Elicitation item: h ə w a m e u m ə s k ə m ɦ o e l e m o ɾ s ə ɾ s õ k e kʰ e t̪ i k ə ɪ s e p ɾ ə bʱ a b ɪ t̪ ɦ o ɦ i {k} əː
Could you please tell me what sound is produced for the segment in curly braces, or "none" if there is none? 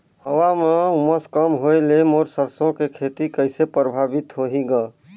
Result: ɡ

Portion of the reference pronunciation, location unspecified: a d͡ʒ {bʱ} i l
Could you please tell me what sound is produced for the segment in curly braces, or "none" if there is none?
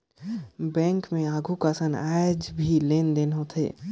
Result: bʱ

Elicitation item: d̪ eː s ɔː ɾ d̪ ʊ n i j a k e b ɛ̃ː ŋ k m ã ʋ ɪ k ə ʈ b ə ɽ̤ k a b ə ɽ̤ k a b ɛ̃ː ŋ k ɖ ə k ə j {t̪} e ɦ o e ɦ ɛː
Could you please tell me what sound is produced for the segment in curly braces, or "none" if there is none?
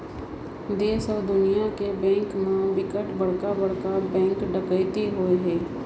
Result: t̪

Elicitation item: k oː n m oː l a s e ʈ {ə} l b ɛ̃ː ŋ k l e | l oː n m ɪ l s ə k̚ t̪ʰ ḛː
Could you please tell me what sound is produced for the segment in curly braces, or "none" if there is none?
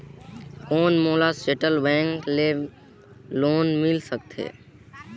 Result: ə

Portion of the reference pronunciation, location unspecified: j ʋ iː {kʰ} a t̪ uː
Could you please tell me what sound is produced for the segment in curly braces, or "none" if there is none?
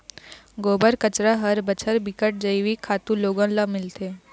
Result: kʰ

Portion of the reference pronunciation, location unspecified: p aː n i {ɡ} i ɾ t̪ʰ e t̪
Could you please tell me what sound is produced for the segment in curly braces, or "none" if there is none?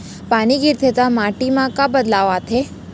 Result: ɡ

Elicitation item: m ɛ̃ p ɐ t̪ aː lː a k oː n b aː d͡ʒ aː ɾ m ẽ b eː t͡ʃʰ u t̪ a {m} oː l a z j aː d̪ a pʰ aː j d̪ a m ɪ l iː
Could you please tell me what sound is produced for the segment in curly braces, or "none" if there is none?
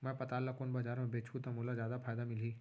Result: m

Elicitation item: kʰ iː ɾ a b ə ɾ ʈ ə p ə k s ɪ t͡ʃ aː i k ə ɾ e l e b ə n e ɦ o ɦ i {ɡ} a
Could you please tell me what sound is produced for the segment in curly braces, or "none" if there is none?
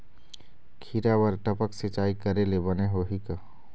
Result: k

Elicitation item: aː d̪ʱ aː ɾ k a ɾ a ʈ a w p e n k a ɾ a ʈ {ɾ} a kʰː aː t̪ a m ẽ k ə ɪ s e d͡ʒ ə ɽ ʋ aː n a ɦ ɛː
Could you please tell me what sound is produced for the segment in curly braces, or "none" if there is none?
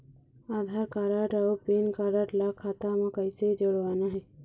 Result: l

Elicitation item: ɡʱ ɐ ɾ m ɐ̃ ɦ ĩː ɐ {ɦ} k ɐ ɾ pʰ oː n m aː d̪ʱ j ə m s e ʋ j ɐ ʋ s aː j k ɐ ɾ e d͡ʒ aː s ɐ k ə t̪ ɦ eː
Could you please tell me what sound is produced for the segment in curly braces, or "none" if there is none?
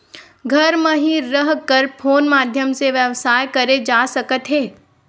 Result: ɦ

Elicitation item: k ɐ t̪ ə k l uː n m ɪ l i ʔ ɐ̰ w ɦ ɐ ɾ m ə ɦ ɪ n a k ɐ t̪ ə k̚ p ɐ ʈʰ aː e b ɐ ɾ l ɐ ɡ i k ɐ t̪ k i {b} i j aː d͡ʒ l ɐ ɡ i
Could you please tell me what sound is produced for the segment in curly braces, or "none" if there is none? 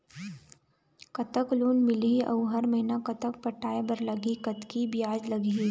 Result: b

